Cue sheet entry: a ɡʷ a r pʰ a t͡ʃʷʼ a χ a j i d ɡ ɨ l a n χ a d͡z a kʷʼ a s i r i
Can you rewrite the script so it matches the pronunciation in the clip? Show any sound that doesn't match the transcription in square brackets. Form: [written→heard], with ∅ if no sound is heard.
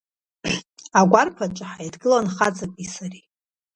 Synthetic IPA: a ɡʷ a r pʰ a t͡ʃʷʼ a [χ→ħ] a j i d ɡ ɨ l a n χ a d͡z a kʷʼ [a→i] s [i→a] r i

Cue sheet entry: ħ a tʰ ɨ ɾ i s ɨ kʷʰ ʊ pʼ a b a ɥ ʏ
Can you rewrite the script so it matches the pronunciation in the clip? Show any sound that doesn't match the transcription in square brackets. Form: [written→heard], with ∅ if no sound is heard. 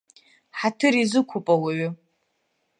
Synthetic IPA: ħ a tʰ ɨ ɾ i [s→z] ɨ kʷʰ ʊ pʼ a [b→w] a ɥ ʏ

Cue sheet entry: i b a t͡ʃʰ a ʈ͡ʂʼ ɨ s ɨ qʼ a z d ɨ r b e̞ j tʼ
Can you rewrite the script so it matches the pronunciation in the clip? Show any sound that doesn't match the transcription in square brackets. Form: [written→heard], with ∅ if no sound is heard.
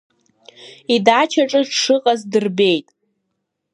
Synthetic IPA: i [b→d] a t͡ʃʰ a ʈ͡ʂʼ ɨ [s→ʂ] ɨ qʼ a z d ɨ r b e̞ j tʼ

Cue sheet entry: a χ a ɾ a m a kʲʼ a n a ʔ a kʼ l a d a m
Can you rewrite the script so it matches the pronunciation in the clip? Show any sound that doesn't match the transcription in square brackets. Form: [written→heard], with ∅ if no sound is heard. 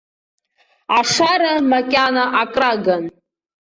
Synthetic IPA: a [χ→ʂ] a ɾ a m a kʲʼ a n a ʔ a kʼ [l→r] a [d→ɡ] a [m→n]

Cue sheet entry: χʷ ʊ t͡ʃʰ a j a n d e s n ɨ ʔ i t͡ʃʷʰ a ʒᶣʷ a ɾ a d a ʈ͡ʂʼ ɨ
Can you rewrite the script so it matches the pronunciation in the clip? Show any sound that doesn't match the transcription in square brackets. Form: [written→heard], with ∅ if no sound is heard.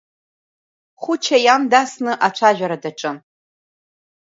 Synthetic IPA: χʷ ʊ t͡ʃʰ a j a [n→m] d [e→a] s n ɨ ʔ [i→a] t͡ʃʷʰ a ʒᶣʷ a ɾ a d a ʈ͡ʂʼ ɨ

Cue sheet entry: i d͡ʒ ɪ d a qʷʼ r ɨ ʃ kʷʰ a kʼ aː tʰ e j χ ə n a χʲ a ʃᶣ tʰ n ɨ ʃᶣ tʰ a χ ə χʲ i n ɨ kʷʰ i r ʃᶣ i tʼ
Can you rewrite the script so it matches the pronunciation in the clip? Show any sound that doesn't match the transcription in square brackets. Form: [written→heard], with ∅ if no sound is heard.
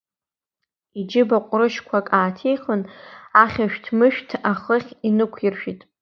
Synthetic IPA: i d͡ʒ ɪ [d→b] a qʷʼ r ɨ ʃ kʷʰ a kʼ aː tʰ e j χ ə n a χʲ a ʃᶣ tʰ [n→m] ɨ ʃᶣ tʰ a χ ə χʲ i n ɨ kʷʰ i r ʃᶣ i tʼ

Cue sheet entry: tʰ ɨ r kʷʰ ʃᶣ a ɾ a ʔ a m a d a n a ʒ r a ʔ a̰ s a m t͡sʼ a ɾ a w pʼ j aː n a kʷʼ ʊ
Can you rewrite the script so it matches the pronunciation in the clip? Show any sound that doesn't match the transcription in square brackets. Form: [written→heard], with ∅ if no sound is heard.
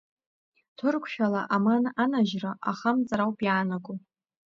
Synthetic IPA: tʰ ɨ r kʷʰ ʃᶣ a [ɾ→l] a ʔ a m a [d→n] a n a ʒ r a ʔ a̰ [s→χ] a m t͡sʼ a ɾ a w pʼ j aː n a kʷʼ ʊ

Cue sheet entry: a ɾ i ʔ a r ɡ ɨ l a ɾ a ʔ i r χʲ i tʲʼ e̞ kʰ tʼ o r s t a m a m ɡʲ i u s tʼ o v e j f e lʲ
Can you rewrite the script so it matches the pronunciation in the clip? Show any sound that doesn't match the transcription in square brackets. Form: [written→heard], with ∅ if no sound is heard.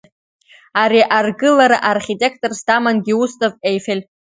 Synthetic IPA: a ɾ i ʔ a r ɡ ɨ l a ɾ a ʔ [i→a] r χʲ i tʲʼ e̞ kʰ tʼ o r s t a m a [m→n] ɡʲ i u s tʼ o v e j f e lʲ

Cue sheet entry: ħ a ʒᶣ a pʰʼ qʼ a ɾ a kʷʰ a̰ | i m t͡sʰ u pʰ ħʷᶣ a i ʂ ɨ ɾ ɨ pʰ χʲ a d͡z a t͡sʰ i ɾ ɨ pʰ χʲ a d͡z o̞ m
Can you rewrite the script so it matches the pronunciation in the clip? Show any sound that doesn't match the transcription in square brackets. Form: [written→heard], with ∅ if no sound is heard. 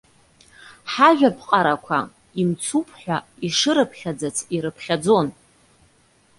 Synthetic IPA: ħ a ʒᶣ a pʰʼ qʼ a ɾ a kʷʰ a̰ | i m t͡sʰ u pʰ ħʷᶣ a i ʂ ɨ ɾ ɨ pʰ χʲ a d͡z a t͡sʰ i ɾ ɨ pʰ χʲ a d͡z o̞ [m→n]

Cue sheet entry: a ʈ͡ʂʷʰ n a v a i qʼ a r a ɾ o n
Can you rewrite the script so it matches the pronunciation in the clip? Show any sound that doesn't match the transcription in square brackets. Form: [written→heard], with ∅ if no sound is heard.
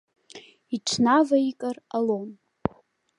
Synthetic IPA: [a→i] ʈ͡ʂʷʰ n a v a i [qʼ→kʼ] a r a [ɾ→l] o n

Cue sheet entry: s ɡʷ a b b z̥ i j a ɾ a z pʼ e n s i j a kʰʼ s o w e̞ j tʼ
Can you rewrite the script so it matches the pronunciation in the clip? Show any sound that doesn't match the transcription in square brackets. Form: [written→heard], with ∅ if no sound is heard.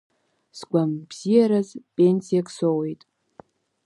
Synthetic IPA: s ɡʷ a [b→m] b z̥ i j a ɾ a z pʼ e n s i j a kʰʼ s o w e̞ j tʼ

